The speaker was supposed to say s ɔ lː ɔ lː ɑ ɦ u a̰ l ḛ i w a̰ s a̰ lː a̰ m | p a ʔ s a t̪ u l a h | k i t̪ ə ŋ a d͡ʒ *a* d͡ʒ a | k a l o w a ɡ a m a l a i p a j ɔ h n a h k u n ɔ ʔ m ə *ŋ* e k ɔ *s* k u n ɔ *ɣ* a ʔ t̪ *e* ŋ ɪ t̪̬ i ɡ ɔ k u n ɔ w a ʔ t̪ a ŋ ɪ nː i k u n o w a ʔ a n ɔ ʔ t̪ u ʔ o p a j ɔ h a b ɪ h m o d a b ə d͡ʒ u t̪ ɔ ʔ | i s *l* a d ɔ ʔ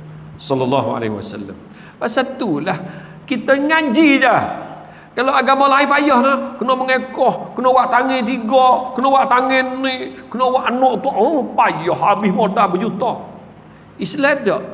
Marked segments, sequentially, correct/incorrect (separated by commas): incorrect, correct, incorrect, incorrect, incorrect, correct